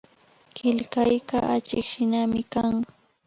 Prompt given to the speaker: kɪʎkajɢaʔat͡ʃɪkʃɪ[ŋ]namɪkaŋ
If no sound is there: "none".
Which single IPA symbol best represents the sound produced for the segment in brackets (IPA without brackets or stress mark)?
none